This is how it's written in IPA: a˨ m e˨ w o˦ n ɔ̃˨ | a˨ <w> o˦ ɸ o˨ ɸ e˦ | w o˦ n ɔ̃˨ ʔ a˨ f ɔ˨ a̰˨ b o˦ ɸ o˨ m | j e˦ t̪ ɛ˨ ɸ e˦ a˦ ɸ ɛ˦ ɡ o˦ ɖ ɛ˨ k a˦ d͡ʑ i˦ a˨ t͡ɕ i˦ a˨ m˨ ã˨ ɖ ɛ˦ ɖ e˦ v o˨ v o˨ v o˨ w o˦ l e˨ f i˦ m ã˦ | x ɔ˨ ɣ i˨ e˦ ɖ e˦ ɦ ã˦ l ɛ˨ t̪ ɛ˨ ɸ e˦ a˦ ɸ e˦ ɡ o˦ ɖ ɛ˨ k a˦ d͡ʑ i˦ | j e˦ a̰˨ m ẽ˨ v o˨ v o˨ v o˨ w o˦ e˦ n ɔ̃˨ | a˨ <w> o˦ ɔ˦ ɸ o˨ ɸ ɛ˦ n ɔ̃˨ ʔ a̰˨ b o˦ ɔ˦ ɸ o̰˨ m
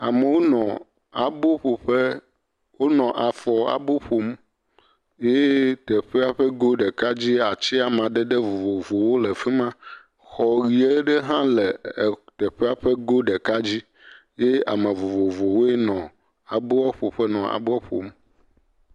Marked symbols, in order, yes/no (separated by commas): no, no